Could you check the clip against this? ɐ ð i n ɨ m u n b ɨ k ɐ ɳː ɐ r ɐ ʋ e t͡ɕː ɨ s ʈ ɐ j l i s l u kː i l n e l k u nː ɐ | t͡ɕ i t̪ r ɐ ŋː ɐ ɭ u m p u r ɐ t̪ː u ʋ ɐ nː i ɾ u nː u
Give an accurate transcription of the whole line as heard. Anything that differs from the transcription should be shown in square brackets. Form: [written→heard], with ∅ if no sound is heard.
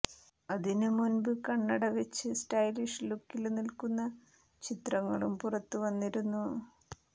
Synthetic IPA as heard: ɐ ð i n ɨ m u n b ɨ k ɐ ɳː ɐ [r→ɽ] ɐ ʋ e t͡ɕː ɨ s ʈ ɐ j l i [s→ʂ] l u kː i l n [e→i] l k u nː ɐ | t͡ɕ i t̪ r ɐ ŋː ɐ ɭ u m p u r ɐ t̪ː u ʋ ɐ nː i ɾ u nː u